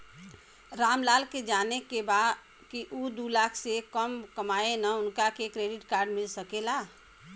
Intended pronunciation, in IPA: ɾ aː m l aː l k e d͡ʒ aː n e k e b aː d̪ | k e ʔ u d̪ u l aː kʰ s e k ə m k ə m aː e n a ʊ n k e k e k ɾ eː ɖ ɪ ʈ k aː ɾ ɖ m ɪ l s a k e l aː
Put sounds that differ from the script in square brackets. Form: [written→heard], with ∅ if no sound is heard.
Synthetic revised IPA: ɾ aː m l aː l k e d͡ʒ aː n e k e b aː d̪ | k [e→i] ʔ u d̪ u l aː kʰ s e k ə m k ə m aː e n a ʊ n k [e→a] k e k ɾ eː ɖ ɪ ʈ k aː ɾ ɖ m ɪ l s [a→ə] k e l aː